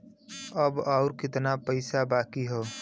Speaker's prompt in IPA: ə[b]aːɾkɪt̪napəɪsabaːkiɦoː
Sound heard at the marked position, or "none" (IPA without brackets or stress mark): b